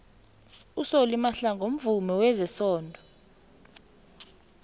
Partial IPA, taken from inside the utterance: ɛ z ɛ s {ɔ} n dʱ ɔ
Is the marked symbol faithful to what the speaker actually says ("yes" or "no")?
no